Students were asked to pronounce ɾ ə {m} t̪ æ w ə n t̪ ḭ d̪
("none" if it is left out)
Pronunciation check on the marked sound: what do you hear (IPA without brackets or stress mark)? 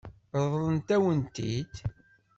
n